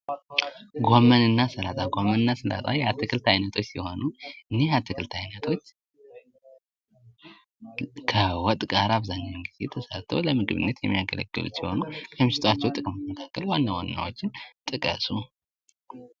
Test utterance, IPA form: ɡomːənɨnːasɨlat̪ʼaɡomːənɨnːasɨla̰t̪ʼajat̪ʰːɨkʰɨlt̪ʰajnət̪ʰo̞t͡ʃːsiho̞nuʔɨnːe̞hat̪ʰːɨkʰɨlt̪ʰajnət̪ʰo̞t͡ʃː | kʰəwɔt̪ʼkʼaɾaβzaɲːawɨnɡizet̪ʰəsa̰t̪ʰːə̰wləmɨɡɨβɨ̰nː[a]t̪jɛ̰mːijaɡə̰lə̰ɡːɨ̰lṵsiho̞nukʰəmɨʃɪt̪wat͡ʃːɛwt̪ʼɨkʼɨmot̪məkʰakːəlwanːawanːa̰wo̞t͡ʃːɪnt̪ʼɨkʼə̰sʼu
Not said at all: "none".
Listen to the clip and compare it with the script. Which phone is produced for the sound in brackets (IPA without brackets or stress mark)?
ə